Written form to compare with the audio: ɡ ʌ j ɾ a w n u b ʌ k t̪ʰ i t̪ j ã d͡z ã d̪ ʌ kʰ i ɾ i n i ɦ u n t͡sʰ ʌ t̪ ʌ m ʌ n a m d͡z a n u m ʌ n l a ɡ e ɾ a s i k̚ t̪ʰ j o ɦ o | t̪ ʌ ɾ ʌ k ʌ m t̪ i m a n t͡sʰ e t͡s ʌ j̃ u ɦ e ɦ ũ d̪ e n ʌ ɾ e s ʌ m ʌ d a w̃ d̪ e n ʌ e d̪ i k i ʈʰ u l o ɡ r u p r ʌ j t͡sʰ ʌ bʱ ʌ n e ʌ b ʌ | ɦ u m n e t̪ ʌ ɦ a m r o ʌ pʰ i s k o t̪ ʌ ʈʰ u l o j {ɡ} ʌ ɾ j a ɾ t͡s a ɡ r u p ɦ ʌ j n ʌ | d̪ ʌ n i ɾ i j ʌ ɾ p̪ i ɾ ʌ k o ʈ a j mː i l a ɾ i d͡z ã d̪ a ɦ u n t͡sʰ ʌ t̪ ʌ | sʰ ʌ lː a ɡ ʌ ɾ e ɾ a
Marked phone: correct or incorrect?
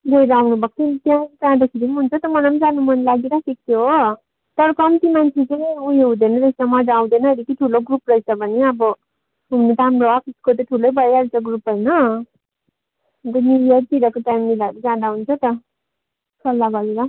incorrect